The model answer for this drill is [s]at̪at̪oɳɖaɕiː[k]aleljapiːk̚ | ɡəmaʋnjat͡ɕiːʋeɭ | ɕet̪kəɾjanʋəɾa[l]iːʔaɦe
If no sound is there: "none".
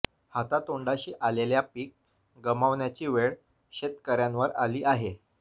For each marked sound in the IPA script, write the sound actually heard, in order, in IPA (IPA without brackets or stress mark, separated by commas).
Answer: h, ʔ, l